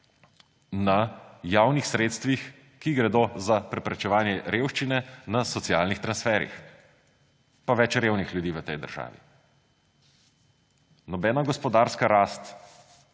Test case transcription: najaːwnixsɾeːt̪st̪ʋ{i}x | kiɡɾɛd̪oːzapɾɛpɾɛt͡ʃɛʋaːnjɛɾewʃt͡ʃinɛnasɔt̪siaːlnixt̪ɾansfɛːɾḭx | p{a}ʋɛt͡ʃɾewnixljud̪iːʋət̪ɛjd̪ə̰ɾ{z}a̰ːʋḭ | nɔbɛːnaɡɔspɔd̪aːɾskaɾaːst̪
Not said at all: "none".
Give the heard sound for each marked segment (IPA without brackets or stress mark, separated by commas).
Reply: i, a, ʒ